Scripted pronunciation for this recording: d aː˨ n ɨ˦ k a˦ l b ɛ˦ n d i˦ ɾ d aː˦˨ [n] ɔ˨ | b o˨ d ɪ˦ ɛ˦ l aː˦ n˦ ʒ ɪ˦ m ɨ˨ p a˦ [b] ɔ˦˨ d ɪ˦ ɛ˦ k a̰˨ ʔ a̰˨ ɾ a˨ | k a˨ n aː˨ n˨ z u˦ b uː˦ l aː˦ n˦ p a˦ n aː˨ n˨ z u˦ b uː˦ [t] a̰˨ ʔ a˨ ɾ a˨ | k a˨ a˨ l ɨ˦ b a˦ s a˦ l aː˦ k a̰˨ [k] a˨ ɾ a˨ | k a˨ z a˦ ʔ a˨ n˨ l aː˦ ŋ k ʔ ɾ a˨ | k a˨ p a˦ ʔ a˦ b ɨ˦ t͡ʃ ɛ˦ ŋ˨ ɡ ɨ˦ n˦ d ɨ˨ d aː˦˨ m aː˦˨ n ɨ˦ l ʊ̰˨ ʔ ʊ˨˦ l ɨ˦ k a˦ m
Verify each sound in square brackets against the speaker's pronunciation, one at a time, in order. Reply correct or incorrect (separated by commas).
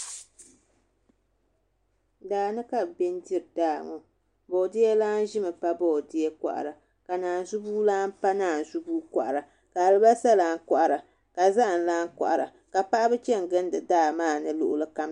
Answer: incorrect, correct, incorrect, incorrect